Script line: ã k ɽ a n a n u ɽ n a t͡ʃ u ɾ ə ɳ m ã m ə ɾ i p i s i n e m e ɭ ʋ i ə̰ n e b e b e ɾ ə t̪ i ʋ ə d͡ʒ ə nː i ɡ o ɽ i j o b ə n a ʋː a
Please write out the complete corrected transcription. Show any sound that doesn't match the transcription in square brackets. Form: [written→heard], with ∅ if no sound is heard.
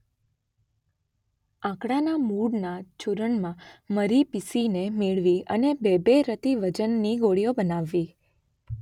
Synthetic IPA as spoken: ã k ɽ a n a [n→m] u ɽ n a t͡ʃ u ɾ ə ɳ m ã m ə ɾ i p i s i n e m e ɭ ʋ i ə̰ n e b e b e ɾ ə t̪ i ʋ ə d͡ʒ ə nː i ɡ o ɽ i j o b ə n a ʋː [a→i]